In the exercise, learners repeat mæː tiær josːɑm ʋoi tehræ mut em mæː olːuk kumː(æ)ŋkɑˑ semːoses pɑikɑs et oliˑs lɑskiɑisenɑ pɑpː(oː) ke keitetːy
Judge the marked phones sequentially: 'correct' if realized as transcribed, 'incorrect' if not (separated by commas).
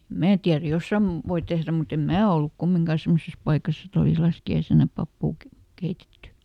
incorrect, incorrect